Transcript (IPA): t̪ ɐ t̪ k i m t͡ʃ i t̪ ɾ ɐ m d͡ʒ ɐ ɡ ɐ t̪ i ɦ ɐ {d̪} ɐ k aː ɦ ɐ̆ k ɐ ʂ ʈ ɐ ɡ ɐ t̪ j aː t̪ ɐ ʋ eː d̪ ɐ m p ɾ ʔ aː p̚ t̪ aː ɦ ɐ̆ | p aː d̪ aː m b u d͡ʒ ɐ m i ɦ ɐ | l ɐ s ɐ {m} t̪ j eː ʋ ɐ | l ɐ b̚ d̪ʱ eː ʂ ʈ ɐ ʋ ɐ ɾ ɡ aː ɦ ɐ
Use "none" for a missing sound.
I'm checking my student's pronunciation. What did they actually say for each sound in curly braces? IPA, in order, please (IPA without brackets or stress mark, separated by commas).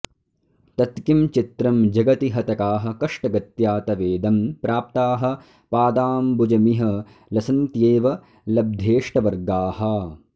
t̪, n